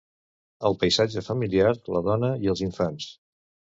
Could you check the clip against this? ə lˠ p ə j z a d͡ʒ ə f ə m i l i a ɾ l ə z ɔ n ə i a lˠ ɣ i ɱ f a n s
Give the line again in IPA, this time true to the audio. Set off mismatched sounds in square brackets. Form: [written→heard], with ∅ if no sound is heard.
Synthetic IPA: ə lˠ p ə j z a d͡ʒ ə f ə m i l i a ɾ l ə [z→ð] ɔ n ə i [a→ə] lˠ [ɣ→z] i ɱ f a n s